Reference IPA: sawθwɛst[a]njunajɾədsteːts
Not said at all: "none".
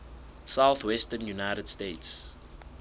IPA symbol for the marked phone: ə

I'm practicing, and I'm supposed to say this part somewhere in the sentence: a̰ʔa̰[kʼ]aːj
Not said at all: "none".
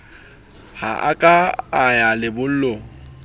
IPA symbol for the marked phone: kʼ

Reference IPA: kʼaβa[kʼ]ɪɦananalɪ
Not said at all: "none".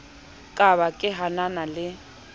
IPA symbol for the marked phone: kʼ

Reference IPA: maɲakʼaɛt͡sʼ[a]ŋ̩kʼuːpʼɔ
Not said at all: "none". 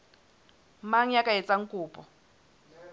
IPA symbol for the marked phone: a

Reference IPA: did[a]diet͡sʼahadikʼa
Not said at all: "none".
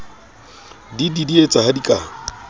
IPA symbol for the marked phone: i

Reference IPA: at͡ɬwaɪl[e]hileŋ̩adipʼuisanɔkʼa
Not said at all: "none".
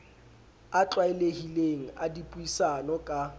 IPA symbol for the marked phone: e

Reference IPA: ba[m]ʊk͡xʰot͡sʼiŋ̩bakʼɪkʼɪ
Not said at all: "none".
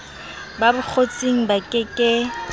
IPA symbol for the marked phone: b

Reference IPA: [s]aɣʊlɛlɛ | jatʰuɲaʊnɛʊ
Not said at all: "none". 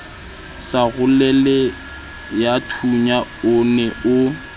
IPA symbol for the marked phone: s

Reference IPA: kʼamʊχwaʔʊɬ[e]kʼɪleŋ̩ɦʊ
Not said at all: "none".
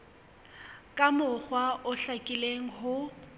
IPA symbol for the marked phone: a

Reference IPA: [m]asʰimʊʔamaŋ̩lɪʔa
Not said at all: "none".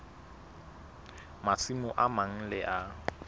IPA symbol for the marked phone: m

